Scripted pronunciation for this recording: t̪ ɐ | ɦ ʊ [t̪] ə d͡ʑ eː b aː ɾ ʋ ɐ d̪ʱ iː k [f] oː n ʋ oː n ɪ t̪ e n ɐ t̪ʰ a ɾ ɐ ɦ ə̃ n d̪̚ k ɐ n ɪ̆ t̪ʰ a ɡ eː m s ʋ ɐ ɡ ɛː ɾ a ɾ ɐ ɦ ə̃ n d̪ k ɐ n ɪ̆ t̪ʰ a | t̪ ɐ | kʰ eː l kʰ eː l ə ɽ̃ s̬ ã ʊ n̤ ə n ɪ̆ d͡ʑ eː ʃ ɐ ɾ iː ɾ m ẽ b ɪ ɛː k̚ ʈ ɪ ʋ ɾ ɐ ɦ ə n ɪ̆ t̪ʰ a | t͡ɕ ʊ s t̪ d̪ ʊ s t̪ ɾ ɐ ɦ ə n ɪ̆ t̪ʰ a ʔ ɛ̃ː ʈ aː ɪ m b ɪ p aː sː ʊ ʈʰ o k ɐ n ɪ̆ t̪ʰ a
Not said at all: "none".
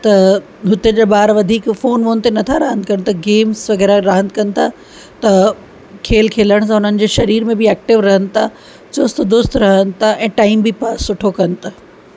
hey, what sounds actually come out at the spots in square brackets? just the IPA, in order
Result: t̪, f

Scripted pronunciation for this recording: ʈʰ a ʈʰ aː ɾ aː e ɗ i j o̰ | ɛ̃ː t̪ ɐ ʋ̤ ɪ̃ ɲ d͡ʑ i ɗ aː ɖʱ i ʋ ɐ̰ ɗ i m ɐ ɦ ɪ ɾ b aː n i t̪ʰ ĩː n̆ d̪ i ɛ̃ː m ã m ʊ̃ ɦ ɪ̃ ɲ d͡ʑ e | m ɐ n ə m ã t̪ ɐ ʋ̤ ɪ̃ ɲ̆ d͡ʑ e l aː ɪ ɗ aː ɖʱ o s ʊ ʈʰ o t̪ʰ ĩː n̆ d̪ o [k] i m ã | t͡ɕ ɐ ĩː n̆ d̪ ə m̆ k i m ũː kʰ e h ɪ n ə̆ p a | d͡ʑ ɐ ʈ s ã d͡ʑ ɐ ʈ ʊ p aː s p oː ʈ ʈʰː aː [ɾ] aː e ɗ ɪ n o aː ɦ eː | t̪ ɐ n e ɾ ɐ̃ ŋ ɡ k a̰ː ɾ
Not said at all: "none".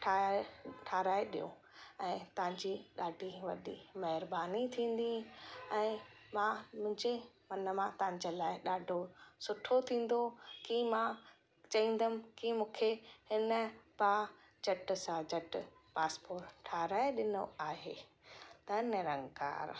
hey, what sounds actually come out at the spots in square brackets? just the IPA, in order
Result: k, ɾ

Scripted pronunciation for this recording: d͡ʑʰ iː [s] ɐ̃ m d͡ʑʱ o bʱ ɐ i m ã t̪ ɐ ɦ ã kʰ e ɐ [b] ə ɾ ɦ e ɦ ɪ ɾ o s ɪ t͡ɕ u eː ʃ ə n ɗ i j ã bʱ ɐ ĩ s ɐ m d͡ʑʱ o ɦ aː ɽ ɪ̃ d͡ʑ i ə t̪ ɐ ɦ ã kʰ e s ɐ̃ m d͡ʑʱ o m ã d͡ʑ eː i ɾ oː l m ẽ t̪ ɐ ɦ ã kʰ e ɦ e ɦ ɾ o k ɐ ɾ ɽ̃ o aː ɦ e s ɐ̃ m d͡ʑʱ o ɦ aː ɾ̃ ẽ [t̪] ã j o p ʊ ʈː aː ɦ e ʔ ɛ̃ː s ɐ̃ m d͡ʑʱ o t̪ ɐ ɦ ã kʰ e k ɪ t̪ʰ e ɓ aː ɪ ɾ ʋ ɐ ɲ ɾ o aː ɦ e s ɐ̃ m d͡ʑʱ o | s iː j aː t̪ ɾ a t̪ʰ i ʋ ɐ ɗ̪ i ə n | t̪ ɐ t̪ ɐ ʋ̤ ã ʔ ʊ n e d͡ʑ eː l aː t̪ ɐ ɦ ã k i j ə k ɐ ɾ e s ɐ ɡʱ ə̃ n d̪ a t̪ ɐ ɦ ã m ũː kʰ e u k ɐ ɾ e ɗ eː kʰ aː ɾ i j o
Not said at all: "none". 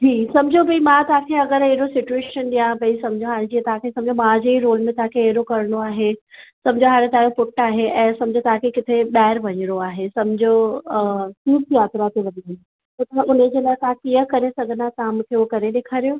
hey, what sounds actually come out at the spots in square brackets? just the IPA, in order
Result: s, ɡ, t̪

